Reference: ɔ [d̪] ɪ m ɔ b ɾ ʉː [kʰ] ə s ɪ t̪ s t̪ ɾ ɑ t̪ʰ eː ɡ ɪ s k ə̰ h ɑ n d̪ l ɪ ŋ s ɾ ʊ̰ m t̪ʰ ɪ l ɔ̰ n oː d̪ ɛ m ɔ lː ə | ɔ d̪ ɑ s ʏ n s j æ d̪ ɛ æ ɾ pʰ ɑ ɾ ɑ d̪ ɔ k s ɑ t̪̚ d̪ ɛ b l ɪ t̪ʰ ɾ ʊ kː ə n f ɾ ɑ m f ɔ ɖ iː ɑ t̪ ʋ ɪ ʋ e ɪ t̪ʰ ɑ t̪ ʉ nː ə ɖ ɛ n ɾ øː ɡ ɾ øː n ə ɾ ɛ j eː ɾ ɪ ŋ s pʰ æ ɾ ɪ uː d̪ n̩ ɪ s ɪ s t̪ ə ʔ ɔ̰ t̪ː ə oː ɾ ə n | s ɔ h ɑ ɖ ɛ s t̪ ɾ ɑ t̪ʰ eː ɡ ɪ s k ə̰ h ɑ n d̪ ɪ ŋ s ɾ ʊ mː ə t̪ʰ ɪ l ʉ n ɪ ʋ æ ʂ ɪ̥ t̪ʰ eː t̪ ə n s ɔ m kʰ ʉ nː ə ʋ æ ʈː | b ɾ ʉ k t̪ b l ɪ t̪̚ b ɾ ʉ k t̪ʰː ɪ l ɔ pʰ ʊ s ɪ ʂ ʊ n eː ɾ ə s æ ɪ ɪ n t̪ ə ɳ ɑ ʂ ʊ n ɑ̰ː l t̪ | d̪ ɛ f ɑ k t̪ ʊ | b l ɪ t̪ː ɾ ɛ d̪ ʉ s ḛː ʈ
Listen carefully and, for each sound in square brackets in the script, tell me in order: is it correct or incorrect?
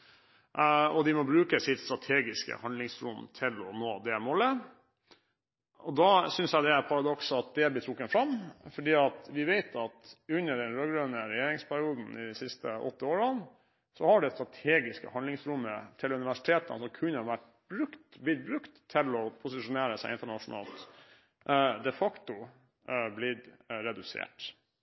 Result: correct, incorrect

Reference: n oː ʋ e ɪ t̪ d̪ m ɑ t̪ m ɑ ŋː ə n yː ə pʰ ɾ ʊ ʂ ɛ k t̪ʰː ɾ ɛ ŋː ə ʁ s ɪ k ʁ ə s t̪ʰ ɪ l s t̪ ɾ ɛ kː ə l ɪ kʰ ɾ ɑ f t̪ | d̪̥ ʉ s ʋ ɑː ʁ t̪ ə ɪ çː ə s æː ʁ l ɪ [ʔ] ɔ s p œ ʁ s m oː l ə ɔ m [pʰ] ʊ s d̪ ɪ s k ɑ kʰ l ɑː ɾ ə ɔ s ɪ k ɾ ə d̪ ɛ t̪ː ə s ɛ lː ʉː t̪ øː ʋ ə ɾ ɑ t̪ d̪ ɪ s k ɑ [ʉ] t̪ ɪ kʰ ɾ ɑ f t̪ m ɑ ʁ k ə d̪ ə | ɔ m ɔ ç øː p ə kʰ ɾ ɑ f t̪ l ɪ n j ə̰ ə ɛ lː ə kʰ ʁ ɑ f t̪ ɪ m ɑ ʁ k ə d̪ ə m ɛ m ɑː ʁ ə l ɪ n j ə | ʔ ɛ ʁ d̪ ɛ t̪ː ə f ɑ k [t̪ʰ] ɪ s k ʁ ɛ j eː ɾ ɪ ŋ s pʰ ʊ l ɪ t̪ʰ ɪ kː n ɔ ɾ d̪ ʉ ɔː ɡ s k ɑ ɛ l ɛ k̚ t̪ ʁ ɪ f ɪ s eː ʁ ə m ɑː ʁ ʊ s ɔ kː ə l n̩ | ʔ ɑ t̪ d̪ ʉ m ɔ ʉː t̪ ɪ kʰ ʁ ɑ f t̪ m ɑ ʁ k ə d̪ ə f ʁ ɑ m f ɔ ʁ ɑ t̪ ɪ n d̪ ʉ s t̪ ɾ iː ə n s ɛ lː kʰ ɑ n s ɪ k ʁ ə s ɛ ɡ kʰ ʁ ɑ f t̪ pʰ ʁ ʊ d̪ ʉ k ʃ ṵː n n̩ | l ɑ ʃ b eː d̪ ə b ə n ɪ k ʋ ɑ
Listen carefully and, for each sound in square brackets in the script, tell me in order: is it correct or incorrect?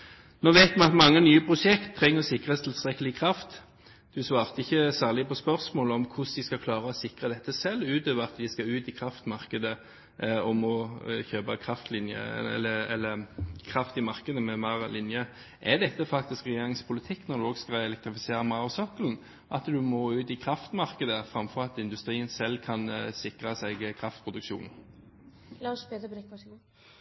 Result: incorrect, incorrect, incorrect, incorrect

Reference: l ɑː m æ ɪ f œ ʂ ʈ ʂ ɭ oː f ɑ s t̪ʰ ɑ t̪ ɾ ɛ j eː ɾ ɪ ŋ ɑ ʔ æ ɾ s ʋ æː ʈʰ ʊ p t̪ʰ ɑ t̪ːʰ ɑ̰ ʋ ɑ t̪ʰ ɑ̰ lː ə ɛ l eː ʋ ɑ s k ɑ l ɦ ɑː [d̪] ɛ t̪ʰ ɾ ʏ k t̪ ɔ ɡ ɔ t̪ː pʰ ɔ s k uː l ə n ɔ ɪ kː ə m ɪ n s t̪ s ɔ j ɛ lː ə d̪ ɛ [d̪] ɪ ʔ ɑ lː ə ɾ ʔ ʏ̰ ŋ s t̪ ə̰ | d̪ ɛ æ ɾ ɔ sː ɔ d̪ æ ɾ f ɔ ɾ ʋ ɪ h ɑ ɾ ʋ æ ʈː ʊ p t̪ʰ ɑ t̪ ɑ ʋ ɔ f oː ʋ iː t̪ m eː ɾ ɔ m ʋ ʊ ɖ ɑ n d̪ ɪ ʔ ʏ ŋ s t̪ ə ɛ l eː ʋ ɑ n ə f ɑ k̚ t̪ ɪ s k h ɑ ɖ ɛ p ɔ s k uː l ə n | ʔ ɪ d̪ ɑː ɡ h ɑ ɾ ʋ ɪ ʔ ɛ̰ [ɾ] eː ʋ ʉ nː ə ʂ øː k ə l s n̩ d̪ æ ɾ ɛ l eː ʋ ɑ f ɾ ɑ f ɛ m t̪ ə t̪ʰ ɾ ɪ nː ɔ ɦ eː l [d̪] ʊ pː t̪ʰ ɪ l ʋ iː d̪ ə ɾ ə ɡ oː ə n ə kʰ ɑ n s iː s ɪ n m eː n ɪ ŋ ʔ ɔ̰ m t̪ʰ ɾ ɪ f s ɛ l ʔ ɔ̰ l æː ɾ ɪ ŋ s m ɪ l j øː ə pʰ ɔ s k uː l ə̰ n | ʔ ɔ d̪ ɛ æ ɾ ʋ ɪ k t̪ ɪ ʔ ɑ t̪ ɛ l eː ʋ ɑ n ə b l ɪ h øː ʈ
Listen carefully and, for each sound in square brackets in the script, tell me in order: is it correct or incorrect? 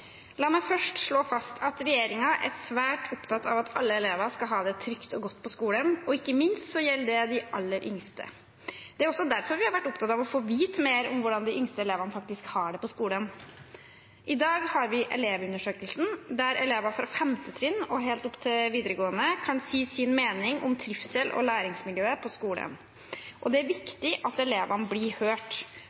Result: correct, correct, incorrect, incorrect

